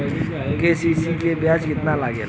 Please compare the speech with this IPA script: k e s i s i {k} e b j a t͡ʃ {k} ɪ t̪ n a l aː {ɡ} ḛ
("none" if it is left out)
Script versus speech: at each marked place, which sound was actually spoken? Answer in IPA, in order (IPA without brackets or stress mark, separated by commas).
k, k, ɡ